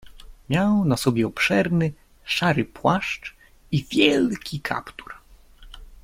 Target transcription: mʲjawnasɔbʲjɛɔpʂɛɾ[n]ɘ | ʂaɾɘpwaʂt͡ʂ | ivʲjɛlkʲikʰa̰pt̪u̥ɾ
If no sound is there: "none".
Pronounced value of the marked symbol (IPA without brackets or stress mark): n